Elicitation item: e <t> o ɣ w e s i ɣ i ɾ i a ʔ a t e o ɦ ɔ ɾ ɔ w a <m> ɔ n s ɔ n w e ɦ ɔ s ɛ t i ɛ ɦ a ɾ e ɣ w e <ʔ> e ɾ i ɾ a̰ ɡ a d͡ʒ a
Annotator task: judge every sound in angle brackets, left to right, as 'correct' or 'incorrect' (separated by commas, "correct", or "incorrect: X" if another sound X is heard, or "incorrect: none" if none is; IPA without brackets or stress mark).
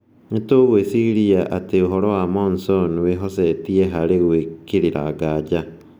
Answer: correct, correct, incorrect: k